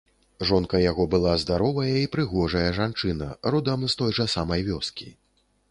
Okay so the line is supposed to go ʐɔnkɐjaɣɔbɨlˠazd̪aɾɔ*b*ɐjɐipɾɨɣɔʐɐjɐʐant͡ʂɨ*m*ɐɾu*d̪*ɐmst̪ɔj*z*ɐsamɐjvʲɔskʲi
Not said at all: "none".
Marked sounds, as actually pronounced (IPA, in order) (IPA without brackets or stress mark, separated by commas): v, n, d̪, ʐ